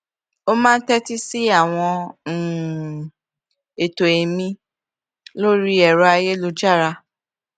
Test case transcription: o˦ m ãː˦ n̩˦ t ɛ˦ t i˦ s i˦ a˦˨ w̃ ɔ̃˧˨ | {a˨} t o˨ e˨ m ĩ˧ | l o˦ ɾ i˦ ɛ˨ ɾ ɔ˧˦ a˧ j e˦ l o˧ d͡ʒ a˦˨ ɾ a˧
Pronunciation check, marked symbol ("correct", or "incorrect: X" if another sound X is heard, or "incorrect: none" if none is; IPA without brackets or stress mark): incorrect: e˨